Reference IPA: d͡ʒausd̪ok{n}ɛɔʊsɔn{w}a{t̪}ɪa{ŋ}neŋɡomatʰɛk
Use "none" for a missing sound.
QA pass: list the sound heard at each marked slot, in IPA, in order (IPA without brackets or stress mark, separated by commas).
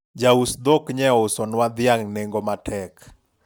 ɲ, w, d̪, ŋ